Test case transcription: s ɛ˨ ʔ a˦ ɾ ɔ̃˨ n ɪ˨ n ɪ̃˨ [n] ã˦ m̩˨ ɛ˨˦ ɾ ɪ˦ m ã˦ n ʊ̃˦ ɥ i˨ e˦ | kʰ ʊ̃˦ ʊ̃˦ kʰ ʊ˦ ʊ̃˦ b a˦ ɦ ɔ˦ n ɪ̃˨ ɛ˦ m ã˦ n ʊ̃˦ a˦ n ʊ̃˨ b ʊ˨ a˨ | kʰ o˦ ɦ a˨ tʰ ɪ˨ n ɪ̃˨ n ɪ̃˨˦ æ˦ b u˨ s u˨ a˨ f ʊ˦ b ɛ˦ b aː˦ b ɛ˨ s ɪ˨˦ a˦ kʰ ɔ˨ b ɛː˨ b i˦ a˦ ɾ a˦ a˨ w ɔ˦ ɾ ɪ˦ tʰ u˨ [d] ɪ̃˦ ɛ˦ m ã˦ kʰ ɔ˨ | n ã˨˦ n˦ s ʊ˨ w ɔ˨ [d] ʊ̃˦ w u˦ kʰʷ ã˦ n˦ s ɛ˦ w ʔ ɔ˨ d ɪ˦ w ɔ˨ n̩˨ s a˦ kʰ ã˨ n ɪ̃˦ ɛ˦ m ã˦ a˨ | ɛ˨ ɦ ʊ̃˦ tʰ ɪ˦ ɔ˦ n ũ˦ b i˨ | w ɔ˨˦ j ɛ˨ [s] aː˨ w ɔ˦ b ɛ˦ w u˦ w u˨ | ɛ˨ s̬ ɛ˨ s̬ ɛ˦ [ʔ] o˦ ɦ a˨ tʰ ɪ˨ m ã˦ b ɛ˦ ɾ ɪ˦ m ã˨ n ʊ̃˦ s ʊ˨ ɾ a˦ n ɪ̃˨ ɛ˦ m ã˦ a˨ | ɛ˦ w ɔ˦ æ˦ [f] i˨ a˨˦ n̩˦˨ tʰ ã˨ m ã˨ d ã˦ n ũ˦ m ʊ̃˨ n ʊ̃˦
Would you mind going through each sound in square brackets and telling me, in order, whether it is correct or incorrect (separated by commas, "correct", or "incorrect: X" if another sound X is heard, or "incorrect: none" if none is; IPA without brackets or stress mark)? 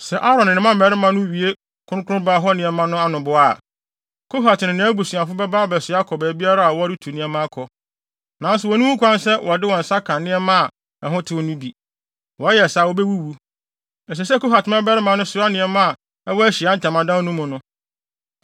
incorrect: m, incorrect: n, incorrect: n, correct, incorrect: k, incorrect: ɕ